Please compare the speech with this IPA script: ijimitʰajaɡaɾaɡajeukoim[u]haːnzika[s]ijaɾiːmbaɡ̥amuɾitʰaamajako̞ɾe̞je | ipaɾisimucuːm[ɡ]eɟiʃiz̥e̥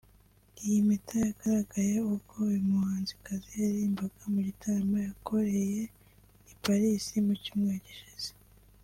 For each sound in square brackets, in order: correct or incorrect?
correct, incorrect, incorrect

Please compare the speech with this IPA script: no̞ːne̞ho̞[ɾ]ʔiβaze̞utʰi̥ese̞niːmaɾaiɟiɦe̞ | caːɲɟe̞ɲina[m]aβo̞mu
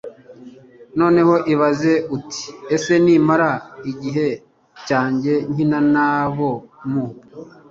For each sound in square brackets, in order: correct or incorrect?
incorrect, incorrect

